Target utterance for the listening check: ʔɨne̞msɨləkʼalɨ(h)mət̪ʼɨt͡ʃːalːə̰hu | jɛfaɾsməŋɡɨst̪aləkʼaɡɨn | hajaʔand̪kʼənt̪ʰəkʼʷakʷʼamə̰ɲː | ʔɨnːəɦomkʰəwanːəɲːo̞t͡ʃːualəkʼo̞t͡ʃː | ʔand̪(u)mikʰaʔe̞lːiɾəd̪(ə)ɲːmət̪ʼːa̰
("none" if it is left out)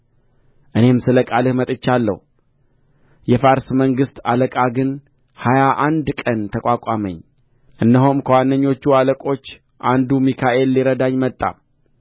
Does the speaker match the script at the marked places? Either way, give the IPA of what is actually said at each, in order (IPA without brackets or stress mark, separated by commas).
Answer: h, u, a